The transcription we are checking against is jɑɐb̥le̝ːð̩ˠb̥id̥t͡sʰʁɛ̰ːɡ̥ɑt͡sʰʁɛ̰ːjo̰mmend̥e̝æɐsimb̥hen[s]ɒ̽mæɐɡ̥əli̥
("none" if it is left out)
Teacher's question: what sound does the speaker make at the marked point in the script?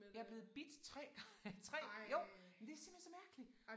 s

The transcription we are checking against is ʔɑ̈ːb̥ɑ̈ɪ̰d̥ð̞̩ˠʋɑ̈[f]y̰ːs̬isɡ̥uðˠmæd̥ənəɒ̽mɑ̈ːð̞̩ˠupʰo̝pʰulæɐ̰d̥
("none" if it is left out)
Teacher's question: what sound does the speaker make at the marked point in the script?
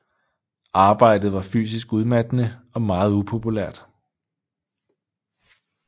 f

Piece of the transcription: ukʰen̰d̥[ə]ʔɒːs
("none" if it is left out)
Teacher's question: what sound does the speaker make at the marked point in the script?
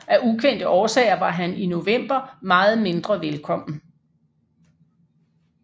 ə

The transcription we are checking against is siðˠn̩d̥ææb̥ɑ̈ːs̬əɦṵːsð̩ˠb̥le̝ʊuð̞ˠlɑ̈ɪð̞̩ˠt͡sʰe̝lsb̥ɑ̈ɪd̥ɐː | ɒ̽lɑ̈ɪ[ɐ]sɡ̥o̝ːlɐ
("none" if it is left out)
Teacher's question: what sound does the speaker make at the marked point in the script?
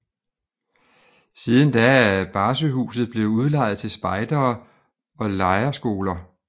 ɐ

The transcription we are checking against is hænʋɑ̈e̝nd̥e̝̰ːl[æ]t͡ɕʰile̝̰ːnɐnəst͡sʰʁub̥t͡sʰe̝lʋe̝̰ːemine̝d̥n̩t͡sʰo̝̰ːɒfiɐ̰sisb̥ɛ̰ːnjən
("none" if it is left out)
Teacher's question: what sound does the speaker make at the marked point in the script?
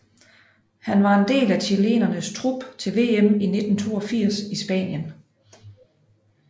æ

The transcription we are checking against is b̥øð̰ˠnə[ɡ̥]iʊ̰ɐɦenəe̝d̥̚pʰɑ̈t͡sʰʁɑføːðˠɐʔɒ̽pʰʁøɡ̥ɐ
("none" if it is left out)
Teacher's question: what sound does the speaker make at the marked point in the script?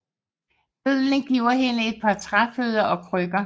ɡ̥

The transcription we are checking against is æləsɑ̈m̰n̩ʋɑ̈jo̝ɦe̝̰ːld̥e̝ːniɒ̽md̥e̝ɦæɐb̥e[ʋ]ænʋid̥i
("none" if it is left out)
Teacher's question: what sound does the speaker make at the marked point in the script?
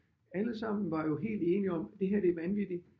ʋ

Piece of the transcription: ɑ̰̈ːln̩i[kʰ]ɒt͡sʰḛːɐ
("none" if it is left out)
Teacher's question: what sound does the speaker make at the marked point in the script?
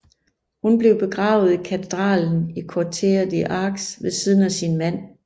kʰ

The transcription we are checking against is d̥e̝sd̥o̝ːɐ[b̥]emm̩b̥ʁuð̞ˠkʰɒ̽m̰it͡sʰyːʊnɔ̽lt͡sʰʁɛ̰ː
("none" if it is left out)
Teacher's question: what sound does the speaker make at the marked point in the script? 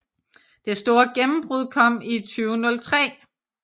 ɡ̥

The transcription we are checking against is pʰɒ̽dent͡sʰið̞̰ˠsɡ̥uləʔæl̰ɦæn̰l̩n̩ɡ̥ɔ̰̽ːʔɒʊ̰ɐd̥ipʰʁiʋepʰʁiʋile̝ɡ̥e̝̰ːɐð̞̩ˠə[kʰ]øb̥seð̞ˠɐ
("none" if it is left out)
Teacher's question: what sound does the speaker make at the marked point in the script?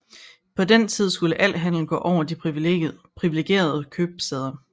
kʰ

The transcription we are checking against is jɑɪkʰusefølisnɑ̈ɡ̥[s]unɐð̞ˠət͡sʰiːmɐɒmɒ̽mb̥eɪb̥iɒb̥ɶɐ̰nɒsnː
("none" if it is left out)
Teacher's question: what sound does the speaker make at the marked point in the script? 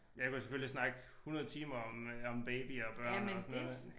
h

